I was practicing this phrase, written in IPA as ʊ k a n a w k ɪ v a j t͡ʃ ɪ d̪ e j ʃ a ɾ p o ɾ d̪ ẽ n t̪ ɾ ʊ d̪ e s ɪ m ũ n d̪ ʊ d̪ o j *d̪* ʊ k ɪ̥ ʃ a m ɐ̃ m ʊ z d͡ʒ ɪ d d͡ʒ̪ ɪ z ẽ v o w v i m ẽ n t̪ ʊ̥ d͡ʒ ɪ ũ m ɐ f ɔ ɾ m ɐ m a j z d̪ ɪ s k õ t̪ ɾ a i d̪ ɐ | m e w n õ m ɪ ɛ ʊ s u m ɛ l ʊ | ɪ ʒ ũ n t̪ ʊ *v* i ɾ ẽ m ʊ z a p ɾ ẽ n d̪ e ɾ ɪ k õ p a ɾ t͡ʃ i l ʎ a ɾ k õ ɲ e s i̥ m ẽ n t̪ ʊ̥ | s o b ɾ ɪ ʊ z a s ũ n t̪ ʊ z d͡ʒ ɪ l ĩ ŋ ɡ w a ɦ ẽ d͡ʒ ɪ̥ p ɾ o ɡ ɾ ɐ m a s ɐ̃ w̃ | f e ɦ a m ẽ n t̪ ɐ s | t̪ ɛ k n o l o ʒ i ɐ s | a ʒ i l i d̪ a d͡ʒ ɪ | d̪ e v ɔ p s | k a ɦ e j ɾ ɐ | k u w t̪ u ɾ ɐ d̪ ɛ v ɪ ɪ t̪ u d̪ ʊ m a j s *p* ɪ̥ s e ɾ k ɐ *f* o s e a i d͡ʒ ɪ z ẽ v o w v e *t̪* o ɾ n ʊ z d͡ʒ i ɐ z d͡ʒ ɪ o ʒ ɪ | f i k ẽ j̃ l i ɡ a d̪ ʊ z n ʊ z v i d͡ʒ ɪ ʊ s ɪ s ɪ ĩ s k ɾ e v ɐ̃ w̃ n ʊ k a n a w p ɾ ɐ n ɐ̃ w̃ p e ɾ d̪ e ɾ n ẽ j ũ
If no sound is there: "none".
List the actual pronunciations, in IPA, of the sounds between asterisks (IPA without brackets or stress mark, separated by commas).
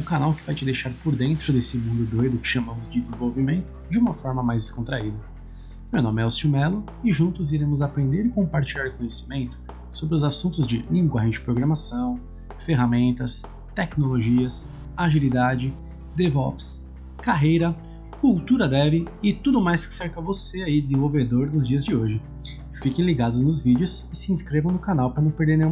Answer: d̪, z, k, v, d̪